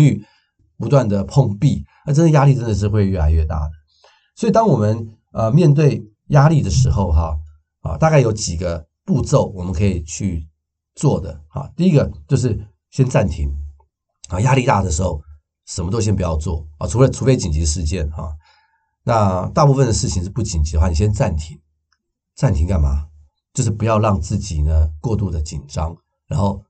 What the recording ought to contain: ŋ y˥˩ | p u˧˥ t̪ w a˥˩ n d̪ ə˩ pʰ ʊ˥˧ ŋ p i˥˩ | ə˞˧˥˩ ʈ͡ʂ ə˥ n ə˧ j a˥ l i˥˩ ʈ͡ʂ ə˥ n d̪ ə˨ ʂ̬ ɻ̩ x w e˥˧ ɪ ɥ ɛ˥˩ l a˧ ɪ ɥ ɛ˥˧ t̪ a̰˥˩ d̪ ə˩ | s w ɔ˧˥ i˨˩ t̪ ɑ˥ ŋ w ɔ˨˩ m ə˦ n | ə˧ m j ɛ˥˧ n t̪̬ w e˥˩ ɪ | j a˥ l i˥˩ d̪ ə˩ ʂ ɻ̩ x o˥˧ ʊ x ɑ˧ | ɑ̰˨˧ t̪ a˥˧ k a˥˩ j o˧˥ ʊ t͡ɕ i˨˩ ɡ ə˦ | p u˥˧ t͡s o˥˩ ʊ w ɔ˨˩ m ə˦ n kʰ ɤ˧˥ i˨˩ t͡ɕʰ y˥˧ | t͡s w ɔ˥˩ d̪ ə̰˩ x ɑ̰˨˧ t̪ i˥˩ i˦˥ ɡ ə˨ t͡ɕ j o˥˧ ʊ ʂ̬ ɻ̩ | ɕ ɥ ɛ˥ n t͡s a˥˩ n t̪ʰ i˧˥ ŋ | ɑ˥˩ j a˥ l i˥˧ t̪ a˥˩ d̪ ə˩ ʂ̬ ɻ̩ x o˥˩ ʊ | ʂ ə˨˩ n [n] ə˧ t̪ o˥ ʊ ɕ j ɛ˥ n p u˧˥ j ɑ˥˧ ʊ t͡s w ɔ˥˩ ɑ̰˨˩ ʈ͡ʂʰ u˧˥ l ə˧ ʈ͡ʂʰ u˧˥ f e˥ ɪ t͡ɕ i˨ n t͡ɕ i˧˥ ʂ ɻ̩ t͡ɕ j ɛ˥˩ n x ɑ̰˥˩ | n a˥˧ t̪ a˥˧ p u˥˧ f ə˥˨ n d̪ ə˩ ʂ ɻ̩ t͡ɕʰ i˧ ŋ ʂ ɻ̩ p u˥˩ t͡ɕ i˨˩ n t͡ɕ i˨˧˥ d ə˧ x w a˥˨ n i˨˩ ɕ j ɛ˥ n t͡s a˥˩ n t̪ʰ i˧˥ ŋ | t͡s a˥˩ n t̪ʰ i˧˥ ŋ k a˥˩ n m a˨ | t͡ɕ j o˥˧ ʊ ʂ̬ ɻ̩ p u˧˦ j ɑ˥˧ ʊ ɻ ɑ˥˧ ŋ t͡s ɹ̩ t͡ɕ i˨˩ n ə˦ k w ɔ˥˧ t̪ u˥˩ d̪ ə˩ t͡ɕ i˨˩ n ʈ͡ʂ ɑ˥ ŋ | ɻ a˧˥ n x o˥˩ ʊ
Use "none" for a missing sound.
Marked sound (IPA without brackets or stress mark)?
m